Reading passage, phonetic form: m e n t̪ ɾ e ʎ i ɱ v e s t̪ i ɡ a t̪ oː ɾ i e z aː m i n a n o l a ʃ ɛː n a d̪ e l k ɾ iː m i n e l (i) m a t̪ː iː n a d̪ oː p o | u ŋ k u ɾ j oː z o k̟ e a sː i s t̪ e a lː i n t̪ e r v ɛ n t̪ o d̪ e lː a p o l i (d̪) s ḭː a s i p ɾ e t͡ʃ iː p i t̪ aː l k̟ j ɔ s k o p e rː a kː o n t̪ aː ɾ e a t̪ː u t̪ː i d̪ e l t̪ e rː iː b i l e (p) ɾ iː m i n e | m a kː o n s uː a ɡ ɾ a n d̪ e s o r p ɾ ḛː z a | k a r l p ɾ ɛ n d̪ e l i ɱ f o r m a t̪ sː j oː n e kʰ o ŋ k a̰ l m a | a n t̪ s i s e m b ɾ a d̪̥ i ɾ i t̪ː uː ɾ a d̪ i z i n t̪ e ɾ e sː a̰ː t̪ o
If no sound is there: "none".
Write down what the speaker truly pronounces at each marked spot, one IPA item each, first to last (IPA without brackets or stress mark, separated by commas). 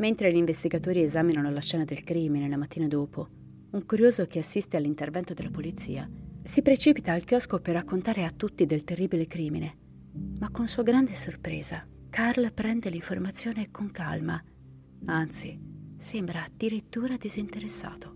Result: a, t̪, k